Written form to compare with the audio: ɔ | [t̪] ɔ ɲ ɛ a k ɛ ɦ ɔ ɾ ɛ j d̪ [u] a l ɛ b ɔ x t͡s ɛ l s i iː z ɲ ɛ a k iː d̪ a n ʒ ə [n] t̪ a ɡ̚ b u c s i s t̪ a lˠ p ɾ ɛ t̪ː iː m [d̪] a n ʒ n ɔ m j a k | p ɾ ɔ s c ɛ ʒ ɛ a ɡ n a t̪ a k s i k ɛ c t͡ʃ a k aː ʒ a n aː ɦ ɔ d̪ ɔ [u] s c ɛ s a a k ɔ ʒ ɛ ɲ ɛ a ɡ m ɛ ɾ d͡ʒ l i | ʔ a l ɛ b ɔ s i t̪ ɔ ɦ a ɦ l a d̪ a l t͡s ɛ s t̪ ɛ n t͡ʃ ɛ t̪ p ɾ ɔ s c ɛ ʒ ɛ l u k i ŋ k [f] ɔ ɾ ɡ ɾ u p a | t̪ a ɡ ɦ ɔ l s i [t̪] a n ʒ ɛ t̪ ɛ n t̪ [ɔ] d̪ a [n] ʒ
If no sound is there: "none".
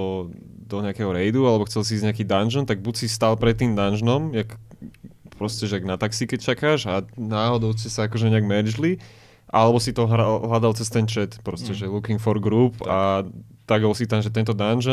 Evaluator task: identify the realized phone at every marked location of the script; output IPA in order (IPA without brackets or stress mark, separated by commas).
d̪, u, n, d̪, ʊ, f, t̪, ɔ, n